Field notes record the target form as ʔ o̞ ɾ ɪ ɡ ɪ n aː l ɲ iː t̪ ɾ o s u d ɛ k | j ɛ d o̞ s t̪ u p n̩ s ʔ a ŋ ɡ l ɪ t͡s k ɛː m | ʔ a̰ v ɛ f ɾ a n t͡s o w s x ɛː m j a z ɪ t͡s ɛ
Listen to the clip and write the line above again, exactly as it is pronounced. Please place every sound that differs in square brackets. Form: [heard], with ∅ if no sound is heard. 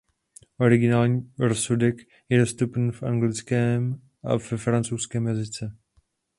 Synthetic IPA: ʔ o̞ ɾ ɪ ɡ ɪ n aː l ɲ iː [∅] ɾ o s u d ɛ k | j ɛ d o̞ s t̪ u p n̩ [f] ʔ a ŋ ɡ l ɪ t͡s k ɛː m | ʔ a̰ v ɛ f ɾ a n t͡s o w s [k] ɛː m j a z ɪ t͡s ɛ